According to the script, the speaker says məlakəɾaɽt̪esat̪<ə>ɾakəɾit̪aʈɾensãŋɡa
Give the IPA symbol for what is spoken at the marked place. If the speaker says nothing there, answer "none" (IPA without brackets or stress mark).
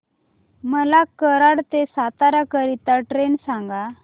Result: a